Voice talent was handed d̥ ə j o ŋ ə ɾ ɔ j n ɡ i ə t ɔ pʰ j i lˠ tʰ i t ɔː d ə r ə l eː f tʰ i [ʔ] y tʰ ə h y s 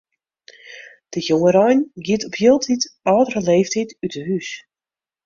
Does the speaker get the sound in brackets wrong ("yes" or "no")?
yes